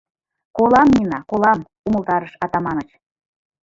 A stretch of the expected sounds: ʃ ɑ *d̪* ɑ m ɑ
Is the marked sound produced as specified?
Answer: no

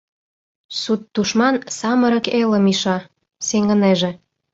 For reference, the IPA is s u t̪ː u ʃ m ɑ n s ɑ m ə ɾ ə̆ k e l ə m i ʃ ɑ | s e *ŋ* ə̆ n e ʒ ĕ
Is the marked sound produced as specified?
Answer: yes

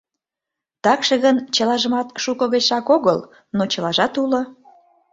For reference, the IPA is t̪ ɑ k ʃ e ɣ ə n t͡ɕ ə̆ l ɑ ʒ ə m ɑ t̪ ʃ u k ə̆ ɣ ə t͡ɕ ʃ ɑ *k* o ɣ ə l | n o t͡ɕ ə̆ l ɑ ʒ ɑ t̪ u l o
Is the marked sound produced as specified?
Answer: yes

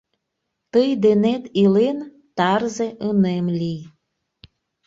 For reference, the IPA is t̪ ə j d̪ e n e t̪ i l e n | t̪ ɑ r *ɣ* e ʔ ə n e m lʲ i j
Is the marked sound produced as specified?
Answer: no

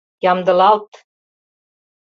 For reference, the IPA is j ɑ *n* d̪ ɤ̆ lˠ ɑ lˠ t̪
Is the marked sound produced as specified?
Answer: no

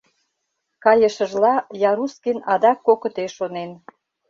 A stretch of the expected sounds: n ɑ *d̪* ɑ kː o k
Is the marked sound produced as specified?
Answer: yes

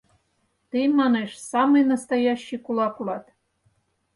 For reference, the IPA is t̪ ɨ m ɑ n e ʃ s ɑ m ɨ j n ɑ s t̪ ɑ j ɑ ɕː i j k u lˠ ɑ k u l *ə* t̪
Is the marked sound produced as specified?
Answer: no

